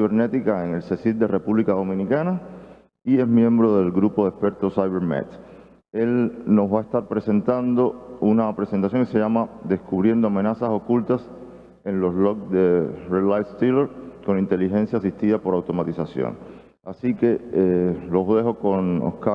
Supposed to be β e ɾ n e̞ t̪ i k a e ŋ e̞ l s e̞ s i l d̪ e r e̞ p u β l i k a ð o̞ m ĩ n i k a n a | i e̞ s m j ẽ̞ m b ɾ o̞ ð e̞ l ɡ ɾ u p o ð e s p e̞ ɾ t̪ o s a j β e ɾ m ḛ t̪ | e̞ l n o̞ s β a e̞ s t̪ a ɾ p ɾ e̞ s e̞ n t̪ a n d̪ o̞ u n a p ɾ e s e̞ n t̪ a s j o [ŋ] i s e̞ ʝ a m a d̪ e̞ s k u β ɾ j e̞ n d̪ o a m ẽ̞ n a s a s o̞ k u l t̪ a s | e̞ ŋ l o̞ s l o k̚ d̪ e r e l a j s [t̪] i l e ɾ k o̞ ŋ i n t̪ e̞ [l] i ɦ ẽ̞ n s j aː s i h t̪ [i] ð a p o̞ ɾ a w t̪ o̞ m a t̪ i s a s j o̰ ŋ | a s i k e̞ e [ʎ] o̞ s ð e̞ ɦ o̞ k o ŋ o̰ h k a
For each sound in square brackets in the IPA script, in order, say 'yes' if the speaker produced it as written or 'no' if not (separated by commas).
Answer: yes, yes, yes, yes, no